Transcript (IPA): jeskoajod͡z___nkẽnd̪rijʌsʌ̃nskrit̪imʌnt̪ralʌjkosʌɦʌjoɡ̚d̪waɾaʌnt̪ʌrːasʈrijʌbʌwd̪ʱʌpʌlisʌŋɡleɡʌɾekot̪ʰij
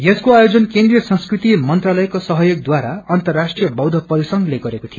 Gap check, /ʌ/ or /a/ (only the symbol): ʌ